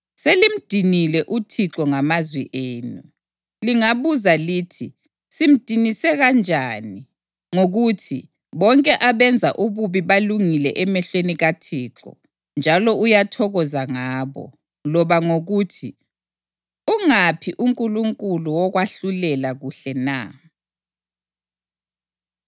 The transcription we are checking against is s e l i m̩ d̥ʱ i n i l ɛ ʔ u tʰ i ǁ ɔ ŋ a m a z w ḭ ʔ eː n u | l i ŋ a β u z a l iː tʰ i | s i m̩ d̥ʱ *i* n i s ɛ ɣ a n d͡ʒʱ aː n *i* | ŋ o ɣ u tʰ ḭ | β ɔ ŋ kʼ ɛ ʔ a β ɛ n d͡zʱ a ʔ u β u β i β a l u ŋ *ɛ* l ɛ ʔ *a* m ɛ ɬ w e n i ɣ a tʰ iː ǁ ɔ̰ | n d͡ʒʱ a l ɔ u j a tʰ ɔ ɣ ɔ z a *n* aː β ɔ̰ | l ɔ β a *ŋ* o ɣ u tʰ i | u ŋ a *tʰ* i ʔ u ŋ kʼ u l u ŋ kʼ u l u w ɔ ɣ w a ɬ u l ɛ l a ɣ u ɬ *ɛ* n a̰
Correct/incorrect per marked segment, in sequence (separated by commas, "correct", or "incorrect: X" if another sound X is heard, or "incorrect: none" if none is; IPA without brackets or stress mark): correct, correct, incorrect: i, incorrect: ɛ, incorrect: ŋ, correct, incorrect: pʰ, correct